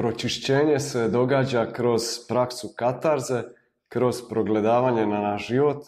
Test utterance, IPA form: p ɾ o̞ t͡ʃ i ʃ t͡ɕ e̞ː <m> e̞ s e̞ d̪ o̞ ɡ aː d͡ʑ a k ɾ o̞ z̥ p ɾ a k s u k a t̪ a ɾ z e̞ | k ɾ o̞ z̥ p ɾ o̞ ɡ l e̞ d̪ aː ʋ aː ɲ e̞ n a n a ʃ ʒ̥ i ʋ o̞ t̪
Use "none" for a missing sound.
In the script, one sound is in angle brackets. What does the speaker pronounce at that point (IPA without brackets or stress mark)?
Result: ɲ